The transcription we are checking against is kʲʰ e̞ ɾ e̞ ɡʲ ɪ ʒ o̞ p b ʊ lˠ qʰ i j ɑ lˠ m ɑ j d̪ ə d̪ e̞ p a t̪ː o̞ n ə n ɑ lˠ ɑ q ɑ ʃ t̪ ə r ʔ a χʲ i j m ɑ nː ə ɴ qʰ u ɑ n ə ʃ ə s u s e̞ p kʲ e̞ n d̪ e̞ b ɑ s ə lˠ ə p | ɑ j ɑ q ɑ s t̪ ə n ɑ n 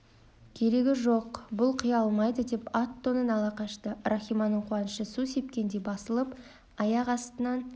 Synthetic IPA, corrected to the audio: kʲʰ e̞ ɾ e̞ ɡʲ ɪ ʒ o̞ q b ʊ lˠ qʰ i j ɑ lˠ m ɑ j d̪ ə d̪ e̞ p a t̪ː o̞ n ə n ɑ lˠ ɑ q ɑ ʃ t̪ ə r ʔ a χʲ i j m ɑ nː ə ɴ qʰ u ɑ n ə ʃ ə s u s e̞ p kʲ e̞ n d̪ e̞ b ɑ s ə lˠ ə p | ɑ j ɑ q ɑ s t̪ ə n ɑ n